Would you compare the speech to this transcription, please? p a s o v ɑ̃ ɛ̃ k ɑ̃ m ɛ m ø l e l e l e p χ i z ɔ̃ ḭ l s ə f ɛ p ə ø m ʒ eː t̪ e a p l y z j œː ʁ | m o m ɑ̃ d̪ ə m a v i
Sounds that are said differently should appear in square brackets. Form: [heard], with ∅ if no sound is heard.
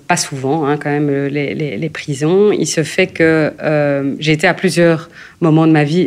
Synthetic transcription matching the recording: p a s [u] v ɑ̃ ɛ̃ k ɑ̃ m ɛ m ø l e l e l e p χ i z ɔ̃ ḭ l s ə f ɛ [k] ə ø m ʒ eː t̪ e a p l y z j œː ʁ | m [ɔ] m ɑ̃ d̪ ə m a v i